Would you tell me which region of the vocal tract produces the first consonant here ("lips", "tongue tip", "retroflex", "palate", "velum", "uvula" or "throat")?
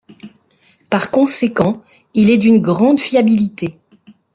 lips